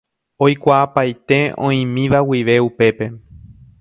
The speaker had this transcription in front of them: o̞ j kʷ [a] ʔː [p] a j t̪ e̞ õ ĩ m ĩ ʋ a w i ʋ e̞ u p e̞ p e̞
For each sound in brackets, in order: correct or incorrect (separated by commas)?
correct, correct